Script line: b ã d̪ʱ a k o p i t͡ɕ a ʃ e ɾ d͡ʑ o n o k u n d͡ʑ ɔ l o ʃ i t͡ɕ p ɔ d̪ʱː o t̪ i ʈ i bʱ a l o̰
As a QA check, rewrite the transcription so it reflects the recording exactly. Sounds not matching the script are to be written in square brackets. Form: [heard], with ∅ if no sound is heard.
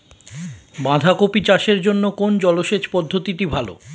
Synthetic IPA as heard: b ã d̪ʱ a k o p i t͡ɕ a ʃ e ɾ d͡ʑ o [nː] o k [o] n d͡ʑ ɔ l o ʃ [e] t͡ɕ p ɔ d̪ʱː o t̪ i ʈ i bʱ a l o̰